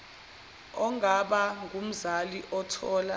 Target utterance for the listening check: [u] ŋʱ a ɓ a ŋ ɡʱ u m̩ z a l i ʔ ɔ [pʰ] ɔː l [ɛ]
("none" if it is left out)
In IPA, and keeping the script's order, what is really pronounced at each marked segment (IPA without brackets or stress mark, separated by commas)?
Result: ɔ, tʰ, a